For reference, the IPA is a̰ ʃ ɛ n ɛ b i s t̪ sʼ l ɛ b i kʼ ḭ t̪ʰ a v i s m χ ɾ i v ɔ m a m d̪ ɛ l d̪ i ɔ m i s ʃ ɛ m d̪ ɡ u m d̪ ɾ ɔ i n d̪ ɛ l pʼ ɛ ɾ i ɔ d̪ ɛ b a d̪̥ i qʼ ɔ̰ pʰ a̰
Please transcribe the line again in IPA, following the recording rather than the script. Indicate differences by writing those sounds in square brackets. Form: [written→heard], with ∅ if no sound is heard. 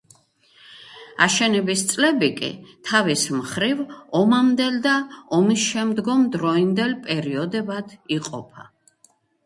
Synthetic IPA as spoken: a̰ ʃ ɛ n ɛ b i s t̪ sʼ l ɛ b i kʼ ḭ t̪ʰ a v i s m χ ɾ i v ɔ m a m d̪ ɛ l d̪ [i→a] ɔ m i s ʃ ɛ m d̪ ɡ [u→ɔ] m d̪ ɾ ɔ i n d̪ ɛ l pʼ ɛ ɾ i ɔ d̪ ɛ b a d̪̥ i qʼ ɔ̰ pʰ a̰